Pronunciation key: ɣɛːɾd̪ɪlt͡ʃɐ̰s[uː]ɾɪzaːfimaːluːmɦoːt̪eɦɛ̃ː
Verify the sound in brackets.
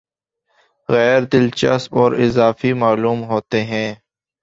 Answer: incorrect: ɔː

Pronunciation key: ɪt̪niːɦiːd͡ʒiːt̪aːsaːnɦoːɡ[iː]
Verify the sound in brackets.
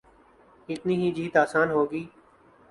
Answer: correct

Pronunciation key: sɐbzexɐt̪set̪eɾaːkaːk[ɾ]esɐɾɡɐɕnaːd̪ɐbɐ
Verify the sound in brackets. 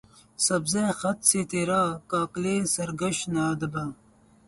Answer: incorrect: l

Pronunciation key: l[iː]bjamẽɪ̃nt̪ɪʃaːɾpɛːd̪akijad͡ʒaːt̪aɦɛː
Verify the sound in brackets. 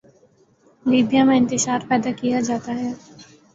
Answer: correct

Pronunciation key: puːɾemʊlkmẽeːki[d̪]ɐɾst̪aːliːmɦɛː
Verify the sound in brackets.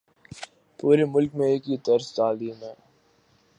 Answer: incorrect: t̪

